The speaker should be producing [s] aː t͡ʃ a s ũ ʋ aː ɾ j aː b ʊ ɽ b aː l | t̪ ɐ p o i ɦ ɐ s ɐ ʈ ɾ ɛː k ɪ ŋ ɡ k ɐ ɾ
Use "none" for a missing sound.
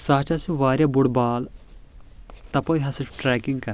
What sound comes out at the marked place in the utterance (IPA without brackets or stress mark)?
s